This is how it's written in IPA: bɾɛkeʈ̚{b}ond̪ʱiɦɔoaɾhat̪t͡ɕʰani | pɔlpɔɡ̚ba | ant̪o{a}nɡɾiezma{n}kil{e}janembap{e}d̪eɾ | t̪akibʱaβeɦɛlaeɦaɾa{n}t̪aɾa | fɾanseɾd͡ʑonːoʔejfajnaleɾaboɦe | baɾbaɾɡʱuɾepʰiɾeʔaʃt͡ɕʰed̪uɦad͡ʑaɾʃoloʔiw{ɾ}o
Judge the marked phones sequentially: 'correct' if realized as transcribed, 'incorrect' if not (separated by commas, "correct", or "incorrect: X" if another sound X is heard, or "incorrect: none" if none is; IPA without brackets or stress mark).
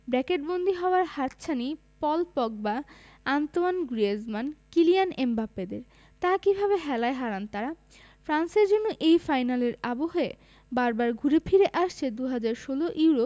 correct, correct, correct, incorrect: i, correct, correct, correct